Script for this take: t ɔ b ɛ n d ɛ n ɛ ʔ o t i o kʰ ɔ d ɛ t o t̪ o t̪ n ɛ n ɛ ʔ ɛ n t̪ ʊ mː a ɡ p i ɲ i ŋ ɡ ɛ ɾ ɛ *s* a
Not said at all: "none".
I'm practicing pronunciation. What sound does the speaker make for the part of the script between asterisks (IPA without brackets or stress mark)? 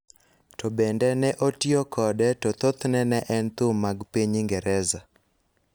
z